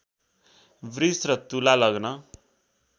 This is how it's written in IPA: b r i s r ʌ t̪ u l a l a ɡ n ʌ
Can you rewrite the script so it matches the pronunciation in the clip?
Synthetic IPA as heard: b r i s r ʌ t̪ u l a l ʌ ɡ n ʌ